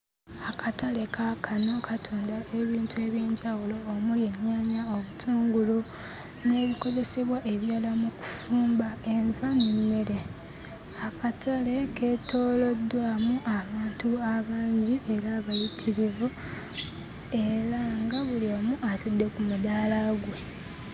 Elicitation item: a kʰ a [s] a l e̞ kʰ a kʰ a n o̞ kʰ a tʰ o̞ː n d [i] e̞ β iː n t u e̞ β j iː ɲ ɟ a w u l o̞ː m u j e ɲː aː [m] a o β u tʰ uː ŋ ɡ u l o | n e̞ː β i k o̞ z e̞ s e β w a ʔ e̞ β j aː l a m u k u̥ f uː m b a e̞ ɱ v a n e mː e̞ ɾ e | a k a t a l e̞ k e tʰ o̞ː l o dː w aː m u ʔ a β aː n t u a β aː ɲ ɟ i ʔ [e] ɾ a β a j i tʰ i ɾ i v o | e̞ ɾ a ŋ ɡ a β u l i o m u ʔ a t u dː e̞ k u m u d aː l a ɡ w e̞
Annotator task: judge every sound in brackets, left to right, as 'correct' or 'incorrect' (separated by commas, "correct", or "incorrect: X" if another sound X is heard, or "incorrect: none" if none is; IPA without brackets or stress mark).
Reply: incorrect: t, incorrect: a, incorrect: ɲ, correct